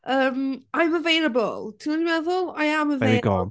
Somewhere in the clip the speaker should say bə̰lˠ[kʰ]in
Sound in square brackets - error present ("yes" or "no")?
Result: yes